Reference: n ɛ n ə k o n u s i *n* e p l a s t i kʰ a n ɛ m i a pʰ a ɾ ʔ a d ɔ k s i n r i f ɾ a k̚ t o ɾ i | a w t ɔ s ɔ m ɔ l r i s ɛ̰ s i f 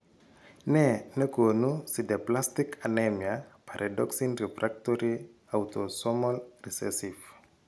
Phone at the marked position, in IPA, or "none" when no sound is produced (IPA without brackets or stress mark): d